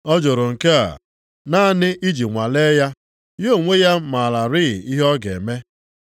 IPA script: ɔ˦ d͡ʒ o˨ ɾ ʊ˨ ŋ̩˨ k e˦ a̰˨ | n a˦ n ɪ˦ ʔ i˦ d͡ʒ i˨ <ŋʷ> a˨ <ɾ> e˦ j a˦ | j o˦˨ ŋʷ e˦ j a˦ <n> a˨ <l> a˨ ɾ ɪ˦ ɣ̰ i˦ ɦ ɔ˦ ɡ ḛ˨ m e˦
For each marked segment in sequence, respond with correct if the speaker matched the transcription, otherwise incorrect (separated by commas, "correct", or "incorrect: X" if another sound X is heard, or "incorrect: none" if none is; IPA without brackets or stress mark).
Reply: correct, incorrect: l, incorrect: m, correct